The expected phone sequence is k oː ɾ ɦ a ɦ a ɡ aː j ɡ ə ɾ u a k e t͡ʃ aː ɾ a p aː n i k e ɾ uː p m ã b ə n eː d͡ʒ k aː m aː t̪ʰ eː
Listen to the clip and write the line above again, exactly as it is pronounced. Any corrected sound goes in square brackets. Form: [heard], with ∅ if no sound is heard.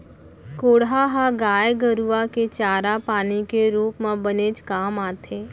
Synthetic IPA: k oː [ɽ] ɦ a ɦ a ɡ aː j ɡ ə ɾ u a k e t͡ʃ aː ɾ a p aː n i k e ɾ uː p m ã b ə n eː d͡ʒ k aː m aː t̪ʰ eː